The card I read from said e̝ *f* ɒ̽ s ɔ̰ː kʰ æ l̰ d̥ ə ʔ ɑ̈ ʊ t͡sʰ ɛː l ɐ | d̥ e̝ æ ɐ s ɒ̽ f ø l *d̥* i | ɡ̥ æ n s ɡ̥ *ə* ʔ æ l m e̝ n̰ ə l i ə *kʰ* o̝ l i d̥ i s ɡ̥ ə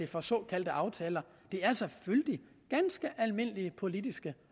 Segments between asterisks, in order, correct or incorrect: correct, correct, correct, incorrect: pʰ

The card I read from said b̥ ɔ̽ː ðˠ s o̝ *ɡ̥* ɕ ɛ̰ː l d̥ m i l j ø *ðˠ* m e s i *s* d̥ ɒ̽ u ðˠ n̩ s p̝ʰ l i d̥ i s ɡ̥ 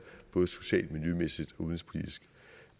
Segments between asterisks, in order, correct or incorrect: incorrect: none, incorrect: none, incorrect: none

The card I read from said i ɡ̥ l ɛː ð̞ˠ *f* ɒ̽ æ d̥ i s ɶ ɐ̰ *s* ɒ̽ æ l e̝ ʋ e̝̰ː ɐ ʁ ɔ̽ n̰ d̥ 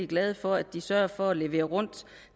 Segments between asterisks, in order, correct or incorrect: correct, incorrect: f

